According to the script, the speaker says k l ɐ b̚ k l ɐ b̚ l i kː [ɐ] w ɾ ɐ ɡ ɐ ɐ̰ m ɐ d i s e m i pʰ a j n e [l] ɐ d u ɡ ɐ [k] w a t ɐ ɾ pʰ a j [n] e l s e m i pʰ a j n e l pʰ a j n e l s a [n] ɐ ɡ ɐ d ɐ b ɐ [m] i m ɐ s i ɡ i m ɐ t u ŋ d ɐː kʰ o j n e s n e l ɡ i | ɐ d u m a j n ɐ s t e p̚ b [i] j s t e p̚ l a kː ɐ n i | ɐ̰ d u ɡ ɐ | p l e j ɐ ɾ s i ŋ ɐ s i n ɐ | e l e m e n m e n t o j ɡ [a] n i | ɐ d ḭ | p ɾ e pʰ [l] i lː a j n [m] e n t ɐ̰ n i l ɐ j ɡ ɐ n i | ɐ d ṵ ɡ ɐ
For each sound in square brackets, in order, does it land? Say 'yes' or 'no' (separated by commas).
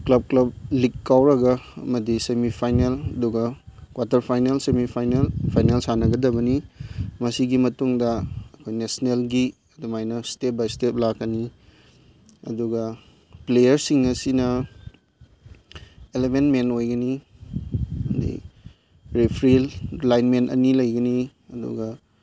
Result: no, yes, yes, yes, yes, no, no, no, no, yes